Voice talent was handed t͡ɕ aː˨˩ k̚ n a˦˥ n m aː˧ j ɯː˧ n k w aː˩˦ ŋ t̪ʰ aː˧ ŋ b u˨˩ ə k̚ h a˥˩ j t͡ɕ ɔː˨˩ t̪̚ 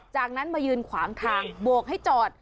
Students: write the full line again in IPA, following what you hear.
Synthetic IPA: t͡ɕ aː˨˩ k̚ n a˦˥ n m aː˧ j ɯː˧ n kʰ w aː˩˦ ŋ t̪ʰ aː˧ ŋ b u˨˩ ə k̚ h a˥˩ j t͡ɕ ɔː˨˩ t̪̚